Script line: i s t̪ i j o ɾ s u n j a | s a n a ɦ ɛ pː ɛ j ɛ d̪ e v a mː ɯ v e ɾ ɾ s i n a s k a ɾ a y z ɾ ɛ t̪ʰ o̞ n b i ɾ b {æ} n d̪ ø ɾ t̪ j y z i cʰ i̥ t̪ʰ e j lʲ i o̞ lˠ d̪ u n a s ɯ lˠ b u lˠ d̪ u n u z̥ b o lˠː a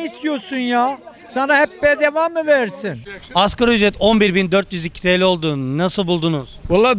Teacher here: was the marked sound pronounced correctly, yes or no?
no